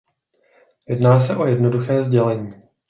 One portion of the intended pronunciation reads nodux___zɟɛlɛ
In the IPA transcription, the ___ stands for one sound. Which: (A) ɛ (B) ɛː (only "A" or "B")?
B